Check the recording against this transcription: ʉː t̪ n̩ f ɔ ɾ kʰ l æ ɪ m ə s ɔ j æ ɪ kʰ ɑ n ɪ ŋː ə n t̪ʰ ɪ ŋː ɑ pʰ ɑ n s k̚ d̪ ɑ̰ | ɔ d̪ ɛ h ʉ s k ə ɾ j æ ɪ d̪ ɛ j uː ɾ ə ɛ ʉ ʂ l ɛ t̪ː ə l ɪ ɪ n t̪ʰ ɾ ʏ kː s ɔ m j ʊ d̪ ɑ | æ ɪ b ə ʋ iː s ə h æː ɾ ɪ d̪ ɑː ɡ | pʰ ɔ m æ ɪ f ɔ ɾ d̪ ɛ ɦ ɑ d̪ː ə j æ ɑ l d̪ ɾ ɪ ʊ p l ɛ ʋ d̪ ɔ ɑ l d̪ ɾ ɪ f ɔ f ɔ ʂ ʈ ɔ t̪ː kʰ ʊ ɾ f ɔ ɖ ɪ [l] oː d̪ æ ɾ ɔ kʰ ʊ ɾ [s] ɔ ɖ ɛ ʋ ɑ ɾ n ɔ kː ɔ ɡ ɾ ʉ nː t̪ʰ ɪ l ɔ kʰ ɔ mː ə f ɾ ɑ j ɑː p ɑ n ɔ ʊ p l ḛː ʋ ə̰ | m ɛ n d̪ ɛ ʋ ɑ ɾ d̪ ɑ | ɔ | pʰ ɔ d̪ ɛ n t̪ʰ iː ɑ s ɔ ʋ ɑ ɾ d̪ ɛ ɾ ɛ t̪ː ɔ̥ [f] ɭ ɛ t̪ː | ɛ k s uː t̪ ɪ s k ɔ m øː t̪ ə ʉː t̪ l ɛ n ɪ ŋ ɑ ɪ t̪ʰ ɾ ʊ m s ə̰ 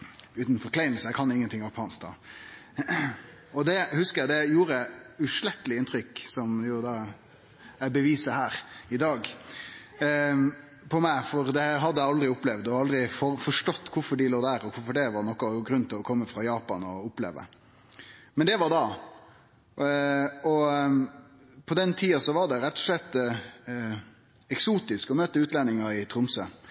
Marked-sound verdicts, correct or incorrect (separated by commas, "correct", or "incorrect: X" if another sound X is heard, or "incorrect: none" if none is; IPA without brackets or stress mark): correct, incorrect: f, incorrect: ʂ